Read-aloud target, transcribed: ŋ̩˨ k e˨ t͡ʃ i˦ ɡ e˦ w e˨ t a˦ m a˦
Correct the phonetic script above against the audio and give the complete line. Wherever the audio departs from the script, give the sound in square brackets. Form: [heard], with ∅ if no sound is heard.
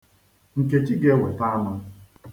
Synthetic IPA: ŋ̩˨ k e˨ t͡ʃ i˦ ɡ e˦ w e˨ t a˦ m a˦